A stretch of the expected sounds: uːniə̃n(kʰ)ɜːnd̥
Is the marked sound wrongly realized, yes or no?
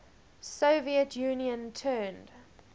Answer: yes